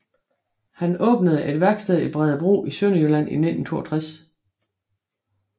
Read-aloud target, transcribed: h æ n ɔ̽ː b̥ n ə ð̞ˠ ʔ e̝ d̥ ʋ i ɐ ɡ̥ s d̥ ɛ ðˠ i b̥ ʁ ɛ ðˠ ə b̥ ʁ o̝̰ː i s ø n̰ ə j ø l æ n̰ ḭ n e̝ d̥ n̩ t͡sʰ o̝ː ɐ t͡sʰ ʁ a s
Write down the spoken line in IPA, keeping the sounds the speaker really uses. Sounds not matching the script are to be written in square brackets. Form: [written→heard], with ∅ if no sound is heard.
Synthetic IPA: h æ n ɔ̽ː b̥ n ə ð̞ˠ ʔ e̝ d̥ ʋ [i→æ] ɐ ɡ̥ s d̥ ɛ ðˠ i b̥ ʁ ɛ ðˠ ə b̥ ʁ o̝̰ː i s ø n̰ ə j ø l æ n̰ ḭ n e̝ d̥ n̩ t͡sʰ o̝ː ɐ t͡sʰ ʁ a s